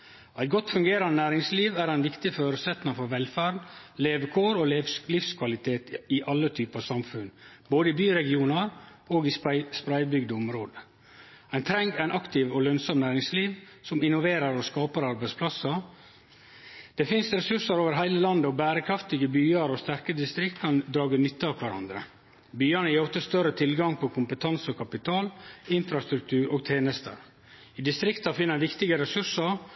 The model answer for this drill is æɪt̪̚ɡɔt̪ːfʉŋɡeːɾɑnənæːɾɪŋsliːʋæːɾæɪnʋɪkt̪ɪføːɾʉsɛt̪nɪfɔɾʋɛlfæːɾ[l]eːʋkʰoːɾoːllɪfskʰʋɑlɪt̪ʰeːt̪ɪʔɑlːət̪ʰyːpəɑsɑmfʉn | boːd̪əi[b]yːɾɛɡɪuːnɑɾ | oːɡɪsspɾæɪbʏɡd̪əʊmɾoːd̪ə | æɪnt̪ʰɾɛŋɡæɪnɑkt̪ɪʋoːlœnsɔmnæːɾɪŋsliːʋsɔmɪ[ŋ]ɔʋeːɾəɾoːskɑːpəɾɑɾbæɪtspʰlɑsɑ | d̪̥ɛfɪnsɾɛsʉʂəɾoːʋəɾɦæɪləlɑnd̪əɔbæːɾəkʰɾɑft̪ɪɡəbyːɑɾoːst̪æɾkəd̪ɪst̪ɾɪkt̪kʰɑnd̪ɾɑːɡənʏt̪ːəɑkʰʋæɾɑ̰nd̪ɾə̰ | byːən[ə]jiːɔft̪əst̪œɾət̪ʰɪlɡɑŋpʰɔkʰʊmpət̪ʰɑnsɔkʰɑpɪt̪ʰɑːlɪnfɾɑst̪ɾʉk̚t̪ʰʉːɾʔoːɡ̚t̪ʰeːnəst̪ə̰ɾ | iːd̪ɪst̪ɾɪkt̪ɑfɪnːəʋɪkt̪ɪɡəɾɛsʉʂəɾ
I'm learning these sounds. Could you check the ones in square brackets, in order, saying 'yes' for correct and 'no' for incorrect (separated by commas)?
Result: yes, yes, no, yes